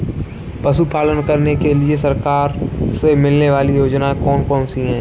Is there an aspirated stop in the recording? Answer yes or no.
no